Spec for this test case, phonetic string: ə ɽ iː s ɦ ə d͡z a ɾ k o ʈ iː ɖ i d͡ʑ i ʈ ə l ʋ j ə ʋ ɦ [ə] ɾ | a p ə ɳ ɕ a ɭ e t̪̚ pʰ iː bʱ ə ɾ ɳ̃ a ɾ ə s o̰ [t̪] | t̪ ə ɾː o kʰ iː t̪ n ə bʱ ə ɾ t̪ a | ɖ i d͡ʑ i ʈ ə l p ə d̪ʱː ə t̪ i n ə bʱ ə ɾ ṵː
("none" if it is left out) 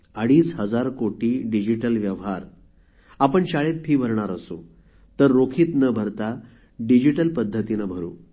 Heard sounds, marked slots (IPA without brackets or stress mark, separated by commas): a, none